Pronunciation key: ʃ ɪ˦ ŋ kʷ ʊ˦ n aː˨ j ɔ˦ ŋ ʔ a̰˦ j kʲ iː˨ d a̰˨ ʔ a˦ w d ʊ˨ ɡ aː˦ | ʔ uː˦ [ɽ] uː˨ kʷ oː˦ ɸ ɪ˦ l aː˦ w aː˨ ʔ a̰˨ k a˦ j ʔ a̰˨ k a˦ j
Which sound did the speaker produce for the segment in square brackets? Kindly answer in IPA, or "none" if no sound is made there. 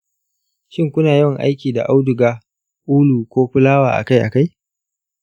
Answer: l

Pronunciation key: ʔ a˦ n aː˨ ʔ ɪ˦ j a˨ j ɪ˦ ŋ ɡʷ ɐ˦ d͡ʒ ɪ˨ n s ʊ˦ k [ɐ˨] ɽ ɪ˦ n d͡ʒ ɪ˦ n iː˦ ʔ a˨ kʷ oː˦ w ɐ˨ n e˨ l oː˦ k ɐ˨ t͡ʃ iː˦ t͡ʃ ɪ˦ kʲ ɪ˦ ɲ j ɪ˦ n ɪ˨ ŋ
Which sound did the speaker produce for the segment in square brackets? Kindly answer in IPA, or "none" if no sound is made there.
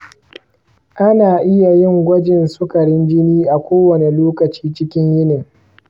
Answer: ɐ˨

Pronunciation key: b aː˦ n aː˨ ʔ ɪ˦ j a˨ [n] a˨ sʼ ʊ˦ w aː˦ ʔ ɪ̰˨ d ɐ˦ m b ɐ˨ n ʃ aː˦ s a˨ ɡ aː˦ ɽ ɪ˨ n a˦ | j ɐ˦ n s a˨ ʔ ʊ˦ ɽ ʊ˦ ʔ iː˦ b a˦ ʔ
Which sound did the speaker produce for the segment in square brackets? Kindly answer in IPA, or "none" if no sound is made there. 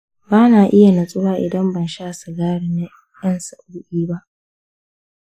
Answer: n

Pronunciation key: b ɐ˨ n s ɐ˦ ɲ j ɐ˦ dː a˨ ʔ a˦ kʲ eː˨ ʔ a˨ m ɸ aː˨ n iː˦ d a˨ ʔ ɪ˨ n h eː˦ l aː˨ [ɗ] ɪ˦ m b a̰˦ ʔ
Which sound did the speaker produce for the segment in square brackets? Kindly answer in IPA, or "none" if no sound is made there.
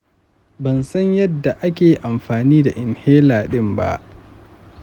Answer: ɗ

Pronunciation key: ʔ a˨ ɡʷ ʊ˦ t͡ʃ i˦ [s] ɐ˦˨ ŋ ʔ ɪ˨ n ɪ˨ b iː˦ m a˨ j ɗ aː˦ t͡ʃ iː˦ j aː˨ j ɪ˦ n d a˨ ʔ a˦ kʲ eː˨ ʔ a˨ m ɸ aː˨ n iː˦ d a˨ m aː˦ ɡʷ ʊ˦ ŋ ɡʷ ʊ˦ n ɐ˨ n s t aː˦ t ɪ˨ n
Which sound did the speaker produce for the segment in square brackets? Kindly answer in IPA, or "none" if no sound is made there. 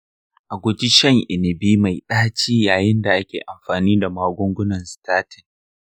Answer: ʃ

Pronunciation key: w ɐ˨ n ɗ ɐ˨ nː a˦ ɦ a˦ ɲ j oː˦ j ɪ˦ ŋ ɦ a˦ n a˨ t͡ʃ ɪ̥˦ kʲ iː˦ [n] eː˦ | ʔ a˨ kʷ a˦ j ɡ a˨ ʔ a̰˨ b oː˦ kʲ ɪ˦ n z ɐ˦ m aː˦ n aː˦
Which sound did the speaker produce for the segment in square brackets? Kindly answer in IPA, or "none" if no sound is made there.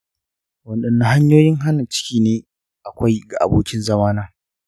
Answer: n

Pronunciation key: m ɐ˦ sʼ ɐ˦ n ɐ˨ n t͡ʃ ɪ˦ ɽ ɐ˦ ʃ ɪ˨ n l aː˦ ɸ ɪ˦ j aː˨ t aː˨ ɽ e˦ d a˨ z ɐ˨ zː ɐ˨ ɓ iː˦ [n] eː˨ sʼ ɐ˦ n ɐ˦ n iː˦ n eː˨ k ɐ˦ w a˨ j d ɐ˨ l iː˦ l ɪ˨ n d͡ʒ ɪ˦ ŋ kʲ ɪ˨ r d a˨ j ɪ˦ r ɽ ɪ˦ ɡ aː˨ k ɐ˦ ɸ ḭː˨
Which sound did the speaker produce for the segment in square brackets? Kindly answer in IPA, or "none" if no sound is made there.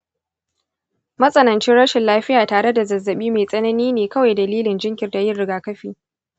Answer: m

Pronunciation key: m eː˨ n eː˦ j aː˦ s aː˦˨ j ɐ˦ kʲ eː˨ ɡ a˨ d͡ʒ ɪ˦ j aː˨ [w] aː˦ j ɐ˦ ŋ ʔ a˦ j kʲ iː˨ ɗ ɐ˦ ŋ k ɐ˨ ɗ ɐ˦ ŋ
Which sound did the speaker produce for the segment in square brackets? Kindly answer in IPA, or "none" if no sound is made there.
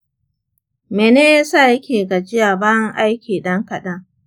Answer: b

